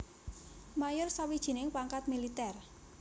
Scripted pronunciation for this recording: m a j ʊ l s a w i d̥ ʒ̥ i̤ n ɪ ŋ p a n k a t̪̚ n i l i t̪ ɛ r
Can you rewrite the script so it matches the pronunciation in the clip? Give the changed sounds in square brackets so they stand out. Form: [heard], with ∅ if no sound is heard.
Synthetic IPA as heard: m a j ʊ [r] s a w i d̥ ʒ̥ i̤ n ɪ ŋ p a [ŋ] k a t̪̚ [m] i l i t̪ ɛ r